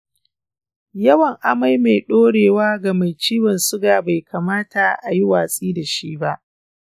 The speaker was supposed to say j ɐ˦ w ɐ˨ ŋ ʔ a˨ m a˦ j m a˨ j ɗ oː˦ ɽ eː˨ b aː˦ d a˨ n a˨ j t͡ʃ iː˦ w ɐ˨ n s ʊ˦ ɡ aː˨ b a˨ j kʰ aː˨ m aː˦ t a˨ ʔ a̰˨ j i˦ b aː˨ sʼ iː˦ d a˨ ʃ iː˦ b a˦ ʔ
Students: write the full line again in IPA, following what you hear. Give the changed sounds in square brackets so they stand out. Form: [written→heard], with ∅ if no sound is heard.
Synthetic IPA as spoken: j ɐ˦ w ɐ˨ ŋ ʔ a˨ m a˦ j m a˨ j ɗ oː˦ ɽ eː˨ [b→w] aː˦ [d→ɡ] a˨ [n→m] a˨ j t͡ʃ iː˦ w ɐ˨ n s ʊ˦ ɡ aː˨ b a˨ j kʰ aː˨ m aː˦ t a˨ ʔ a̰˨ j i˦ [b→w] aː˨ sʼ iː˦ d a˨ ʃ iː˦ b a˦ ʔ